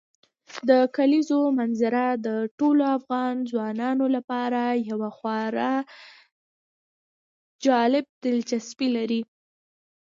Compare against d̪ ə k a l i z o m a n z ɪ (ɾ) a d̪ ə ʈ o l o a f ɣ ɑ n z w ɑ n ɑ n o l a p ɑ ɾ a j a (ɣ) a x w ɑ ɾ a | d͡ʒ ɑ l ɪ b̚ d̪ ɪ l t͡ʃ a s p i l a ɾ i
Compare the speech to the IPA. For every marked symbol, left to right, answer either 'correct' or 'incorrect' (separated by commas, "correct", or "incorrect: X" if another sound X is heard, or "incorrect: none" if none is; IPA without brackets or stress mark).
correct, incorrect: w